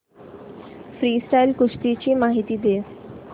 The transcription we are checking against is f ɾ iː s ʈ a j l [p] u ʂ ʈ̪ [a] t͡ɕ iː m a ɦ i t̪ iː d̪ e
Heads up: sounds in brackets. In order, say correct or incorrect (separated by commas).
incorrect, incorrect